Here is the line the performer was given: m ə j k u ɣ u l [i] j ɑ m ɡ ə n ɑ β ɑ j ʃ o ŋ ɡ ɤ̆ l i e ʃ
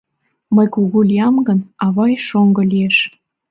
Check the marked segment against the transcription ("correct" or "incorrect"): correct